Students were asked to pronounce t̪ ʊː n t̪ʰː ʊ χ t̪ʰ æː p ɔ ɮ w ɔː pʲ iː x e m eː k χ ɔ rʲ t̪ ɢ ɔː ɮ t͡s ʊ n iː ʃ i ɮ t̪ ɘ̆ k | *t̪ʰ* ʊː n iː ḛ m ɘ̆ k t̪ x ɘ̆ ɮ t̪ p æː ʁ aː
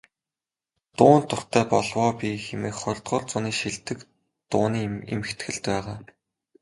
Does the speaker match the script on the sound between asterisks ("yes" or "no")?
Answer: no